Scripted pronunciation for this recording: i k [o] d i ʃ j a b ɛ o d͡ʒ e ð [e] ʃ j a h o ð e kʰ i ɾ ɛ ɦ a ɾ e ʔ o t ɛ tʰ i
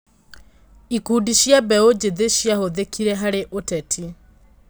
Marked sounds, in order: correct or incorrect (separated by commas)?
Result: incorrect, correct